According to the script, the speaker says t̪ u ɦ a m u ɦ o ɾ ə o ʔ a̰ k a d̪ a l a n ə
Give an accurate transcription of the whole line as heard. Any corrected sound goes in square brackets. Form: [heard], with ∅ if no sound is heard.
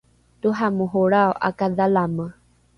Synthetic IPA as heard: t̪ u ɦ a m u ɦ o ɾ [a] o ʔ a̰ k a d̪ a l a [m] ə

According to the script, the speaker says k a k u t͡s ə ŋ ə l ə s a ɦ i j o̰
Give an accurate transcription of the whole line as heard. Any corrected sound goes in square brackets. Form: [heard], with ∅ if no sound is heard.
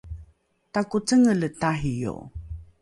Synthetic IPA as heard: [t] a k u t͡s ə ŋ ə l ə [t] a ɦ i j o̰

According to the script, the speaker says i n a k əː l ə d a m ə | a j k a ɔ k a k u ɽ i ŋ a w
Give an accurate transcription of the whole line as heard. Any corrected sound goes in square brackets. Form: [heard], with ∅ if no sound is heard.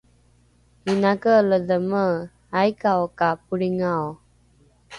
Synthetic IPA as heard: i n a k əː l ə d [ə] m ə | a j k a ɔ k a [p] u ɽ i ŋ a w

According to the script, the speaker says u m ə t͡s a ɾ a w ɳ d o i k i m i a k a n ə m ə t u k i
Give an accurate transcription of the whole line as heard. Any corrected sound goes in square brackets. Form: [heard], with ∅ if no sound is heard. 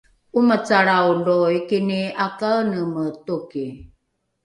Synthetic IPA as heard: u m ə t͡s a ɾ a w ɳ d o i k i [n] i a k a n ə m ə t u k i

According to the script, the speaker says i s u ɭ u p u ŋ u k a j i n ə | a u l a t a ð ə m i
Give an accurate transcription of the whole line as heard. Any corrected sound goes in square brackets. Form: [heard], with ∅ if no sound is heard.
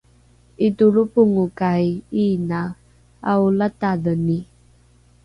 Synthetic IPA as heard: i [t] u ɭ u p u ŋ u k a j i n [a] | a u l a t a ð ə [n] i

